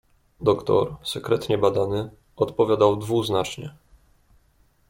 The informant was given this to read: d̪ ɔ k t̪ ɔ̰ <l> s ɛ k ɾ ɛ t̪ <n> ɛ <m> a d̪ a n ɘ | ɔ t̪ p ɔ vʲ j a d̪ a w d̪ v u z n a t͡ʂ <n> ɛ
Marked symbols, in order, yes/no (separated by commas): no, no, no, no